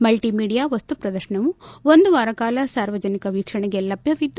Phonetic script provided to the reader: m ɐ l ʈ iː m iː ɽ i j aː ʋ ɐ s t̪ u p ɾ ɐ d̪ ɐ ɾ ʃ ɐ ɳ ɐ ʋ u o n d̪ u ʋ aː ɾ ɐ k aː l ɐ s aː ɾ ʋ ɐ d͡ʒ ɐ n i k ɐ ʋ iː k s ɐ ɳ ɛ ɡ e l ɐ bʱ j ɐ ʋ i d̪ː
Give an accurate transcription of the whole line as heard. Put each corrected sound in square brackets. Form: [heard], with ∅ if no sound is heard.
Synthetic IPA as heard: m ɐ l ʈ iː m iː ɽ i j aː ʋ ɐ s t̪ u p ɾ ɐ d̪ ɐ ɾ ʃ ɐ ɳ ɐ ʋ u o n d̪ u ʋ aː ɾ ɐ k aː l ɐ s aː ɾ ʋ ɐ d͡ʒ ɐ n i k ɐ ʋ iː k [ʂ] ɐ ɳ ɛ ɡ e l ɐ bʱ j ɐ ʋ i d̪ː